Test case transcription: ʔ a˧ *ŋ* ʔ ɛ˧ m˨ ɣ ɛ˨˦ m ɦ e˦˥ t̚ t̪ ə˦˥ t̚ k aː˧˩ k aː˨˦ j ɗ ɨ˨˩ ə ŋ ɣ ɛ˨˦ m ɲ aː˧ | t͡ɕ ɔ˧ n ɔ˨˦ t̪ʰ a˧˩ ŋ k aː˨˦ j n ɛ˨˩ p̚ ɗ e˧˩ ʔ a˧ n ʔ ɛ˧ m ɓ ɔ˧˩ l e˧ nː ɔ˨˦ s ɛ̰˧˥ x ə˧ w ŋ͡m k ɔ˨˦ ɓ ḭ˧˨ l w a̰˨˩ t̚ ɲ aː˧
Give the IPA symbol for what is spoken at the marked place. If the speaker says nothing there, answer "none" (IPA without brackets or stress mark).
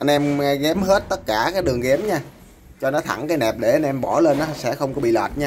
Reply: n